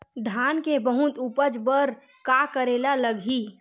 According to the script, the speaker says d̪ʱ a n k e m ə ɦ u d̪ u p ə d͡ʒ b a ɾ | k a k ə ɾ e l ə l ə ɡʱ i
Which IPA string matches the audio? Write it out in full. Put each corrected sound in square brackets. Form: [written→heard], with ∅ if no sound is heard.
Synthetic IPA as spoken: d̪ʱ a n k e [m→b] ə ɦ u [d̪→t̪] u p ə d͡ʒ b [a→ə] ɾ | k a k ə ɾ e l [ə→a] l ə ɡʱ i